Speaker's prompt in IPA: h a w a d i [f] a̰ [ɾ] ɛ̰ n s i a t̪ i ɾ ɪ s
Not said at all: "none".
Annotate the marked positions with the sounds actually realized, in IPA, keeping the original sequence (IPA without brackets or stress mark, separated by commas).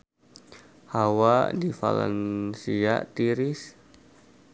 f, l